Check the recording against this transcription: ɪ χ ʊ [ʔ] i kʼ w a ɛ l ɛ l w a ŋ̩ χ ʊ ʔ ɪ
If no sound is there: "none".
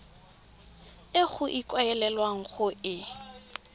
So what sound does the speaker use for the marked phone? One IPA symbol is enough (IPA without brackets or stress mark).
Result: ʔ